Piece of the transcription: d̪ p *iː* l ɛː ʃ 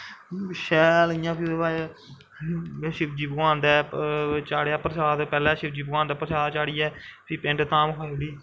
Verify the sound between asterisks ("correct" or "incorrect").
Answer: incorrect